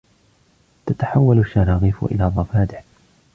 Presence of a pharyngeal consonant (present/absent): present